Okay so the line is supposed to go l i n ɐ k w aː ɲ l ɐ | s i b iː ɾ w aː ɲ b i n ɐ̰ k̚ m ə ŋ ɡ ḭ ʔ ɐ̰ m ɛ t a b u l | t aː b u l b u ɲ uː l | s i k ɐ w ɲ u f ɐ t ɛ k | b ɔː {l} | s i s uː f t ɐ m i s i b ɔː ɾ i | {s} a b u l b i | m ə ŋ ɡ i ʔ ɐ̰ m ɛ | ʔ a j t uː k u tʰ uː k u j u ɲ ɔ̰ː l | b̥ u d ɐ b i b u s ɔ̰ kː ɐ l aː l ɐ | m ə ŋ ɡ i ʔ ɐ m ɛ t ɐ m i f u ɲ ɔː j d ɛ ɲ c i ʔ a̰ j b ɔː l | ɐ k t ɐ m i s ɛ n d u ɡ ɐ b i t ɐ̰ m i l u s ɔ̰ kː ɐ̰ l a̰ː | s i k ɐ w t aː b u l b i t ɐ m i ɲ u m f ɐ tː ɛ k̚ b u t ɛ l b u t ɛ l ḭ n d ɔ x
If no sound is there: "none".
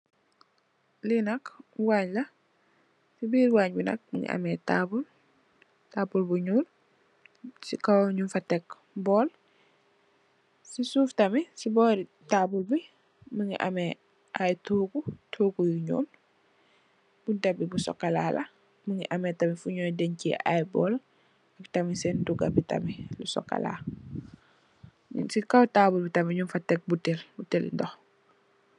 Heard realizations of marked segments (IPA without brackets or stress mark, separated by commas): l, t